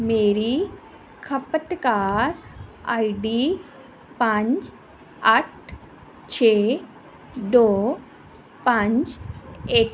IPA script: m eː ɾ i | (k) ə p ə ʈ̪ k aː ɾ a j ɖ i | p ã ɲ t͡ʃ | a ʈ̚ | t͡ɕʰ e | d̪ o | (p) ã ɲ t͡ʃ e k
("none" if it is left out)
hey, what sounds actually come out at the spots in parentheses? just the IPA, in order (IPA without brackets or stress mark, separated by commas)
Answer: kʰ, p